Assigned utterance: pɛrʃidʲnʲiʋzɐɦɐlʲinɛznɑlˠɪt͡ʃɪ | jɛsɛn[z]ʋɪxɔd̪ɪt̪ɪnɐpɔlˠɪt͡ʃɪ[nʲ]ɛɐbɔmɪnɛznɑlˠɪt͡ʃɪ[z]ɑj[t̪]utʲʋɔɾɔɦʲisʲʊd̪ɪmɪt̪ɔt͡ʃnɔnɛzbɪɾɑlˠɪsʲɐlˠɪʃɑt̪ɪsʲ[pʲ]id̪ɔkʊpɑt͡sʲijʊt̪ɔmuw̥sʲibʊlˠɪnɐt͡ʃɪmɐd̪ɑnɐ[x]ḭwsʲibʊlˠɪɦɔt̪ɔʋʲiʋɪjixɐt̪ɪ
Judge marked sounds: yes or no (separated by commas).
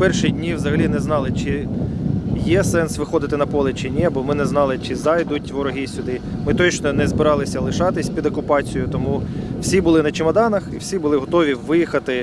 no, yes, yes, no, yes, yes